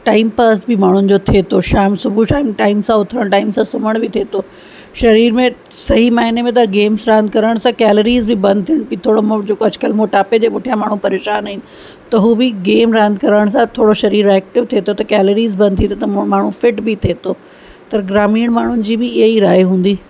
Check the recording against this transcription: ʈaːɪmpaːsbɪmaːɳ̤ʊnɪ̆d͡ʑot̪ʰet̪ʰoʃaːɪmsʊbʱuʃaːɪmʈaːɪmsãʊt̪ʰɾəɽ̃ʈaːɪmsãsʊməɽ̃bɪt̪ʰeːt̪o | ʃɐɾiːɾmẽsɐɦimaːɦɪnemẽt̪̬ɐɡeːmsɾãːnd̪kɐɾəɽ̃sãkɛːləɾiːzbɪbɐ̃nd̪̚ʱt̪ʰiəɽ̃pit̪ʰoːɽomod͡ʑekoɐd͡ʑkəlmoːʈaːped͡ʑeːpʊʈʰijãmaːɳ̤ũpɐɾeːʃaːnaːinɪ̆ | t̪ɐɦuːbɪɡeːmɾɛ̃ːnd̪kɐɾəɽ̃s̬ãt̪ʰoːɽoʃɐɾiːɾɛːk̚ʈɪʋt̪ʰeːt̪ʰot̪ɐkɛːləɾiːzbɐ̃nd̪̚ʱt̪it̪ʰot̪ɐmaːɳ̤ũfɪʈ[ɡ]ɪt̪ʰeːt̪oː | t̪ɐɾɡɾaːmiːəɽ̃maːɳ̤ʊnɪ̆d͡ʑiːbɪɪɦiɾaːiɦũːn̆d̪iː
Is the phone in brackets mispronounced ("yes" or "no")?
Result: yes